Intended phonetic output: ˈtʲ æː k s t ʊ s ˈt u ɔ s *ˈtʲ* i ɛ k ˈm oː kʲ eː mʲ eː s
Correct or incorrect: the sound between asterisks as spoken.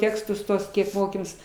incorrect: kʲ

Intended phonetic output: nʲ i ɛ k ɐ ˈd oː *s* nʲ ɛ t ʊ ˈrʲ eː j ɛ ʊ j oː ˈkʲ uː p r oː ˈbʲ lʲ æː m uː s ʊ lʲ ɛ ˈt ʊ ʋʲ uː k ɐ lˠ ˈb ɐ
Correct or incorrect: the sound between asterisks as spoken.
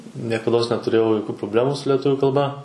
correct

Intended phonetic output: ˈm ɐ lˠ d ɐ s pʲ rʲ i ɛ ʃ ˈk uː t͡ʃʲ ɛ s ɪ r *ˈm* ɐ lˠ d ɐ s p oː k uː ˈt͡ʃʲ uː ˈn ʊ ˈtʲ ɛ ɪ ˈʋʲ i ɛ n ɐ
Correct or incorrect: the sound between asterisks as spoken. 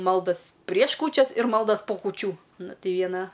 correct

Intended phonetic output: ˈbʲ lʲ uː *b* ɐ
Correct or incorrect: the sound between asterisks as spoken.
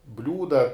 incorrect: d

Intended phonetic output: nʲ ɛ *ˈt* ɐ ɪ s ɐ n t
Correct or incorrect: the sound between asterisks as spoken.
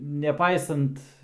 incorrect: p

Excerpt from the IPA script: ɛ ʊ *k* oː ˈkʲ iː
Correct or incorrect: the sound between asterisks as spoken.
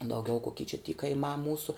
correct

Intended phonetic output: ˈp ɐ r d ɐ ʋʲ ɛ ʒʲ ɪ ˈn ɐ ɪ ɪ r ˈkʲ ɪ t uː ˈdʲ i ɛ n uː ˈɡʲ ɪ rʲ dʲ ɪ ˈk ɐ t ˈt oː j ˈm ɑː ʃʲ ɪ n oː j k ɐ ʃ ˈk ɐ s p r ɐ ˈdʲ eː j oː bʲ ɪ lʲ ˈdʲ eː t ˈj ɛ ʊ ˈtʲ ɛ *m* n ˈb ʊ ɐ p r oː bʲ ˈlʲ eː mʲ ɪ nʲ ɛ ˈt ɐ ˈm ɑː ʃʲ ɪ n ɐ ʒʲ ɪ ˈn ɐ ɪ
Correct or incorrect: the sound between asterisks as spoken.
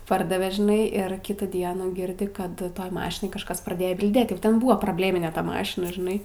incorrect: none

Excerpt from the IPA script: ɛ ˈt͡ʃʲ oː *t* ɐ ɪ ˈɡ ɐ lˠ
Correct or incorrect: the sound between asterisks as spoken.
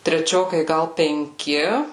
incorrect: k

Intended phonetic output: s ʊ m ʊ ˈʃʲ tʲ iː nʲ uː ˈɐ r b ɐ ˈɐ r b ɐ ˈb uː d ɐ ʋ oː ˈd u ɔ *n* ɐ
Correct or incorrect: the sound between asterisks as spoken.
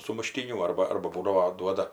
incorrect: d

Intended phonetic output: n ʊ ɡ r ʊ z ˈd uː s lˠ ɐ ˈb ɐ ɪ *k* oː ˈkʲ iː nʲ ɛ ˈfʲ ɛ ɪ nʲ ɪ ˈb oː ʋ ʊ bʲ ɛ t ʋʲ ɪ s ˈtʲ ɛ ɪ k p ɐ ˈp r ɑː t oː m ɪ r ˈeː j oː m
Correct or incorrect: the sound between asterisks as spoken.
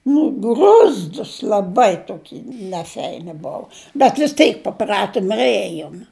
incorrect: t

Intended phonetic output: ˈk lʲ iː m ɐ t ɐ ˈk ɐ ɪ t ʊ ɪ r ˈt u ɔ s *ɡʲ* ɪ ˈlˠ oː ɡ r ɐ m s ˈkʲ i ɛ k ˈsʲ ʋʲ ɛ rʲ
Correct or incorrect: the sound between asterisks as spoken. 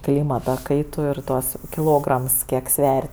incorrect: kʲ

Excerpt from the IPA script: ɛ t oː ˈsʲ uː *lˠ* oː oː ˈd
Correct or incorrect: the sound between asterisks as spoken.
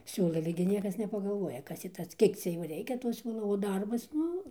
correct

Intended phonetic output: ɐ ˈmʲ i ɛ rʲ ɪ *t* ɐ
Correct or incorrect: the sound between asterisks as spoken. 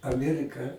incorrect: k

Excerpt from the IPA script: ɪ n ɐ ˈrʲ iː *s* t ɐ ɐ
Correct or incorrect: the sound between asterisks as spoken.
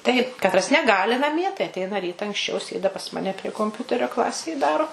incorrect: none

